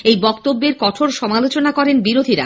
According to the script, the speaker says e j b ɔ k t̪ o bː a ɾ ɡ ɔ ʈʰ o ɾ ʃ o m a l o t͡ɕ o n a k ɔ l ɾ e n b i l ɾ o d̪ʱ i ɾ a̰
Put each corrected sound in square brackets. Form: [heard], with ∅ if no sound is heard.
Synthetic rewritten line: e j b ɔ k t̪ o bː [e] ɾ [k] ɔ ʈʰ o ɾ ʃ [ɔ] m a l o t͡ɕ o n a k ɔ [∅] ɾ e n b i [∅] ɾ o d̪ʱ i ɾ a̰

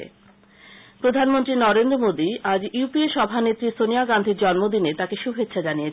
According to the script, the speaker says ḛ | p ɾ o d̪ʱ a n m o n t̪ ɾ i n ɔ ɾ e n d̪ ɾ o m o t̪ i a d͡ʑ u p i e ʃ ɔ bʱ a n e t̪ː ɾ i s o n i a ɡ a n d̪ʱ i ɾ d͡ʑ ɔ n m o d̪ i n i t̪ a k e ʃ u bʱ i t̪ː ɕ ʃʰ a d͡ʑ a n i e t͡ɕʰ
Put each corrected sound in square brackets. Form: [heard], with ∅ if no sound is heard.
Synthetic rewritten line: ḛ | p ɾ o d̪ʱ a n m o n t̪ ɾ i n ɔ ɾ e n d̪ ɾ o m o [d̪] i a d͡ʑ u p i e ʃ ɔ bʱ a n e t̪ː ɾ i s o n i a ɡ a n d̪ʱ i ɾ d͡ʑ ɔ n m o d̪ i n [e] t̪ a k e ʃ u bʱ [e] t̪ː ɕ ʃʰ a d͡ʑ a n i e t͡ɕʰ

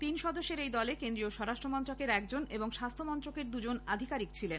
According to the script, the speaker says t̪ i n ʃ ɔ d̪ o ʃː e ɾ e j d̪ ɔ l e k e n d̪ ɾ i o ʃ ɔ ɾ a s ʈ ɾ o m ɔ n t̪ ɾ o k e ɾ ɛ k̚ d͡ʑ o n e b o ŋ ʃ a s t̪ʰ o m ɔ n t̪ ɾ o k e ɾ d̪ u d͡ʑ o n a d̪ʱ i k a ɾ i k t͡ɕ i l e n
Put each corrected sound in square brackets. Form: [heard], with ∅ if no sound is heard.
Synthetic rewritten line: t̪ i n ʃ ɔ d̪ o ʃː e ɾ e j d̪ ɔ l e k e n d̪ ɾ i o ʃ ɔ ɾ a [ʃ] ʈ ɾ o m ɔ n t̪ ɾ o k e ɾ ɛ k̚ d͡ʑ o n e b o ŋ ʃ a s t̪ʰ o m ɔ n t̪ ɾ o k e ɾ d̪ u d͡ʑ o n a d̪ʱ i k a ɾ i k [t͡ɕʰ] i l e n

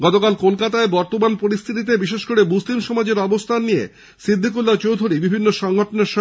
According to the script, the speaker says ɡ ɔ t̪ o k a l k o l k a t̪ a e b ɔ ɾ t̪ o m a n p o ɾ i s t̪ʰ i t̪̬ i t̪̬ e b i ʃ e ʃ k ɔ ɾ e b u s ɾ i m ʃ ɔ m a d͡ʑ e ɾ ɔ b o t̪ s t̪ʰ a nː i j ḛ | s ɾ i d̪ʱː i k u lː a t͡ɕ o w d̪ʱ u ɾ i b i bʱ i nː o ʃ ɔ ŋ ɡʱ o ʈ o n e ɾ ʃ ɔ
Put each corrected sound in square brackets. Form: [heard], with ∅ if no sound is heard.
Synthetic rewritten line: ɡ ɔ t̪ o k a l k o l k a t̪ a e b ɔ ɾ t̪ o m a n p o ɾ i s t̪ʰ i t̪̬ i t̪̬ e b i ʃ e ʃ k [o] ɾ e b u s [l] i m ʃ ɔ m a d͡ʑ e ɾ ɔ b o [∅] s t̪ʰ a nː i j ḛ | s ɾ i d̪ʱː i k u lː a t͡ɕ o w d̪ʱ u ɾ i b i bʱ i nː o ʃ ɔ ŋ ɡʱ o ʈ o n e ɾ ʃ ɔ

